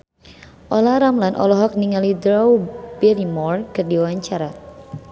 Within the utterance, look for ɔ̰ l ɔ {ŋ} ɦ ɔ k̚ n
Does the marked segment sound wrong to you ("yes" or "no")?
yes